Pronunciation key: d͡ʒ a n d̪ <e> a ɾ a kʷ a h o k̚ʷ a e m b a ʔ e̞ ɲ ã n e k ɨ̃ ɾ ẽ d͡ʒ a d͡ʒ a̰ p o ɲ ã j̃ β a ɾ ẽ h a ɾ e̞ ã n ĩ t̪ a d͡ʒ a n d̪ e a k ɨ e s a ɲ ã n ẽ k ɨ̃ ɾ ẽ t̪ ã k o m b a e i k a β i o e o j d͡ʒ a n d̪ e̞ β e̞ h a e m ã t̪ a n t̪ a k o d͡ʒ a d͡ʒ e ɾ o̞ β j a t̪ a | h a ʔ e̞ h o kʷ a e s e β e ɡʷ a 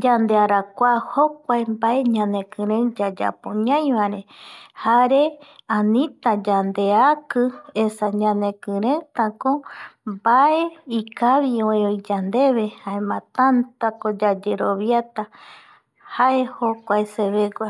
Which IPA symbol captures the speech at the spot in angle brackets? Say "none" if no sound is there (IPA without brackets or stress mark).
e